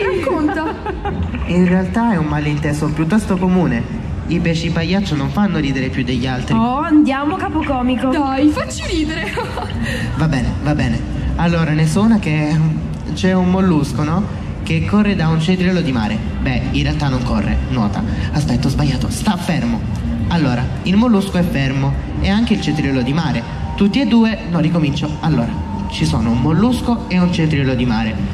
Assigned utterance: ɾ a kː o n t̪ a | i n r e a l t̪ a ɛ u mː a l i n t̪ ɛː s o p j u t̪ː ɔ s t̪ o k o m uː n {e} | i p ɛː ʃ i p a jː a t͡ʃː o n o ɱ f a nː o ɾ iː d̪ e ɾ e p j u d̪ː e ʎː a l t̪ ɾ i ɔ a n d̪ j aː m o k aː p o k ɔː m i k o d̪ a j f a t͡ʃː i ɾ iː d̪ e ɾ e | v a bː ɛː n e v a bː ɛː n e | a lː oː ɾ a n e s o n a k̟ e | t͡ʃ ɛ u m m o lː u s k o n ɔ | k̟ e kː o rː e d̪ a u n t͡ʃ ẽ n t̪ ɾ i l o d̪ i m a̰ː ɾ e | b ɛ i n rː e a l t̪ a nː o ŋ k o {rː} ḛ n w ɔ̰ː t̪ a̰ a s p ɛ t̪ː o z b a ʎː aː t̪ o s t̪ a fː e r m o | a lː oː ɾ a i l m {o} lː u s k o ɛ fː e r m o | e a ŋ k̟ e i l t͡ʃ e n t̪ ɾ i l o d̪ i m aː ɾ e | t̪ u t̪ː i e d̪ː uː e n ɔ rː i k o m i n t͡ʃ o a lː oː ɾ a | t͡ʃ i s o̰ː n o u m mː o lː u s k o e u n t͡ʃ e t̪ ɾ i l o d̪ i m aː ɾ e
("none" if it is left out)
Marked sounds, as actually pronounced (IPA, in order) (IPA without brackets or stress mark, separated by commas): e, rː, o